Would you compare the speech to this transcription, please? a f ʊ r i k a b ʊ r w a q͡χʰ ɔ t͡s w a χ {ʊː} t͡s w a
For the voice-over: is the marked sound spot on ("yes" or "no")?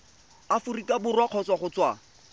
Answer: no